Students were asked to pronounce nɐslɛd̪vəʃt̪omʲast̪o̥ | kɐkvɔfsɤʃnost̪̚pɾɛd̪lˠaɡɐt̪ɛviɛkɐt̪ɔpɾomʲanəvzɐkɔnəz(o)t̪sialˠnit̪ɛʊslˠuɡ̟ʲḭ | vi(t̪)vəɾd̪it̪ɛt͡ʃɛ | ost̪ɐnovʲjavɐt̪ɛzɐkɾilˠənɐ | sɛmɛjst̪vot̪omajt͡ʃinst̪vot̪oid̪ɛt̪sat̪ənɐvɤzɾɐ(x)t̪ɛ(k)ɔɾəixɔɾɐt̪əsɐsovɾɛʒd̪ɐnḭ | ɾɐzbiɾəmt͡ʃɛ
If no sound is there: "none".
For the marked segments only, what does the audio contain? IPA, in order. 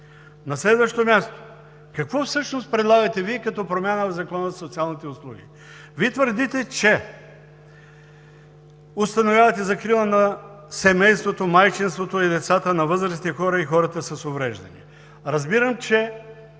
o, t̪, s, x

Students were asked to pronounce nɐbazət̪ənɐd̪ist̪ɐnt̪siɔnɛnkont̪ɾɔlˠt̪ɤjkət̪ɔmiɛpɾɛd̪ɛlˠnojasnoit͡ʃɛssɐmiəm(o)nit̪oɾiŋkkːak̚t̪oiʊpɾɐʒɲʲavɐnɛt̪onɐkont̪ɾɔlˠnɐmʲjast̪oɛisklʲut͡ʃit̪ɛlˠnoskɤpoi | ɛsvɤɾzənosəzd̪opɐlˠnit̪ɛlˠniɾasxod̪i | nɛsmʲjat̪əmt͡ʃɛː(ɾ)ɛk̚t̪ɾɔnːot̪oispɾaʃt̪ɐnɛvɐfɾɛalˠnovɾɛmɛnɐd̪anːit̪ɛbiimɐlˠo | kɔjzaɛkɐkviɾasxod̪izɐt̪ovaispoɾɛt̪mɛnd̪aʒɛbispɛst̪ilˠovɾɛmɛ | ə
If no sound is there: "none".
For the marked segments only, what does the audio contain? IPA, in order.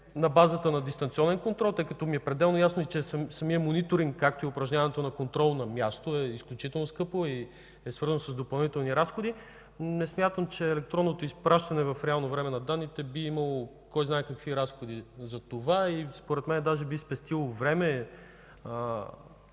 o, l

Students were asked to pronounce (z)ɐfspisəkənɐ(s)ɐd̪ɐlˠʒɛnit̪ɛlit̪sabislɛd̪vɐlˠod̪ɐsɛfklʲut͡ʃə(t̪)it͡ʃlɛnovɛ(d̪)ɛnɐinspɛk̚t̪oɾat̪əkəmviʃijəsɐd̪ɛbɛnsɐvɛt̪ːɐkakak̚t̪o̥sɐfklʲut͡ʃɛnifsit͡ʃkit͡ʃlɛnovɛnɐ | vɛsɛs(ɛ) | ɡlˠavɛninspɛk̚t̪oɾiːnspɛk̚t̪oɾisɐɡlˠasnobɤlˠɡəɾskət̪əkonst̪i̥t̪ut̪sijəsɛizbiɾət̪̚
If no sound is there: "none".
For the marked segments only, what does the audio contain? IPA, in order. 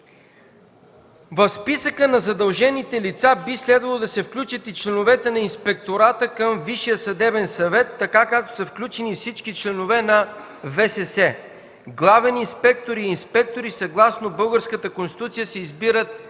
v, z, t̪, t̪, ɛ

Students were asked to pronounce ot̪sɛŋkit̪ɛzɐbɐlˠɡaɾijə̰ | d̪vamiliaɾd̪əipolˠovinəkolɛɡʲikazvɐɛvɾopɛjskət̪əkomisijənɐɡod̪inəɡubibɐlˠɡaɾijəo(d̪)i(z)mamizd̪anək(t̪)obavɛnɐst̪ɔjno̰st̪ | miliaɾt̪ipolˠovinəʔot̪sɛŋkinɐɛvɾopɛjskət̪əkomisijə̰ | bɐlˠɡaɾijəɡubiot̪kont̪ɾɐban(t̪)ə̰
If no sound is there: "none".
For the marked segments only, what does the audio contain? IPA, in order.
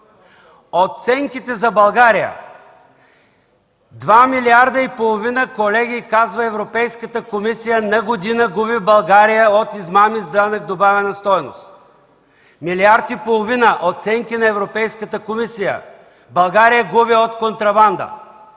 t̪, z, d̪, d̪

